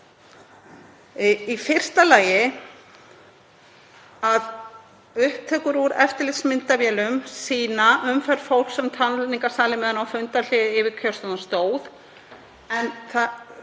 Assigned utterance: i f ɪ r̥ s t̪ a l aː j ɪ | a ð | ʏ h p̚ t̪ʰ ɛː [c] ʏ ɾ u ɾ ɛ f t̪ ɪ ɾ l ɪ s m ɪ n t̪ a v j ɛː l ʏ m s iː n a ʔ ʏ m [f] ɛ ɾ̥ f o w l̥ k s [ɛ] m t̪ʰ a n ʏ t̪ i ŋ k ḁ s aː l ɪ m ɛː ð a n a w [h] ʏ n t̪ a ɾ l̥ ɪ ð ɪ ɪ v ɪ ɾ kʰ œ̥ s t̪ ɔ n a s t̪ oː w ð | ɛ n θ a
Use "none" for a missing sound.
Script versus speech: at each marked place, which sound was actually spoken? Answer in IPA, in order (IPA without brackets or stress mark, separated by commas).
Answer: k, f, ɛ, f